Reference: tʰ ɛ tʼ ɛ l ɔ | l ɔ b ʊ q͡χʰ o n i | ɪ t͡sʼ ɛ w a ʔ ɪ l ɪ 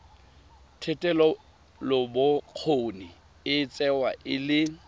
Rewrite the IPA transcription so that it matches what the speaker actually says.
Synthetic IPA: tʰ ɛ tʼ ɛ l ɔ | l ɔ b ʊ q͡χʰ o n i | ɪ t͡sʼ ɛ w a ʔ ɪ l ɪ